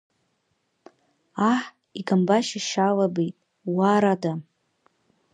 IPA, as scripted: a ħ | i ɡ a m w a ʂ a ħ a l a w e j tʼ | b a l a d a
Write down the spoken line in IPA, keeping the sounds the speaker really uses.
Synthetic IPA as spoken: a ħ | i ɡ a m b a ʃ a ʃ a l a b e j tʼ | w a ɾ a d a